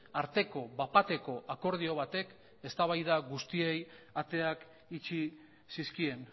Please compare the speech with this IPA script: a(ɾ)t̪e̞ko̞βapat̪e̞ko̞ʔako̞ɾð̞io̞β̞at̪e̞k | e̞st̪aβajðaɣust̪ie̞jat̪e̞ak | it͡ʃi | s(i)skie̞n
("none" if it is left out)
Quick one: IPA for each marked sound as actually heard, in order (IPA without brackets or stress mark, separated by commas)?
ɾ, i